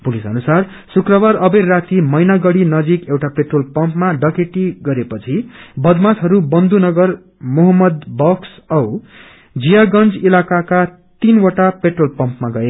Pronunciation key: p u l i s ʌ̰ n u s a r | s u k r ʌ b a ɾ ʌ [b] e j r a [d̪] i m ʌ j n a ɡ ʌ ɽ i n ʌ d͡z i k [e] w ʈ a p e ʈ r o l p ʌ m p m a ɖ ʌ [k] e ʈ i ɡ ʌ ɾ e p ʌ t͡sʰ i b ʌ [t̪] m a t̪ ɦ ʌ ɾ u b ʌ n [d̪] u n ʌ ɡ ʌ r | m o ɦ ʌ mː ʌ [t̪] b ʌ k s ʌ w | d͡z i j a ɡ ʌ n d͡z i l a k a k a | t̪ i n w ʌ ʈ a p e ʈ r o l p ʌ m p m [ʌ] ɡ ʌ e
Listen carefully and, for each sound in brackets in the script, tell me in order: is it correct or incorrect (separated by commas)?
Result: correct, incorrect, correct, correct, incorrect, correct, incorrect, incorrect